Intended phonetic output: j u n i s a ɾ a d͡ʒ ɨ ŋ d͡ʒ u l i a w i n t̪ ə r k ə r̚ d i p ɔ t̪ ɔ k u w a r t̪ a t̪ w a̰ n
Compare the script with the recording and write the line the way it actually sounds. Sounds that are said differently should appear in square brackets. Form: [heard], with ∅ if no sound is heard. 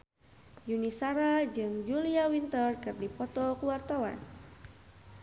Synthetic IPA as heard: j u n i s a ɾ a d͡ʒ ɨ ŋ d͡ʒ u l i a w i n t̪ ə r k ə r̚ d i p ɔ t̪ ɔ k u w a r t̪ a [∅] w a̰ n